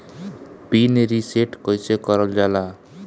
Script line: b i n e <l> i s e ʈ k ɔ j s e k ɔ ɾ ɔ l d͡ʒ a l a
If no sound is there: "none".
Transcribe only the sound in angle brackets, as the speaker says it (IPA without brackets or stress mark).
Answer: ɾ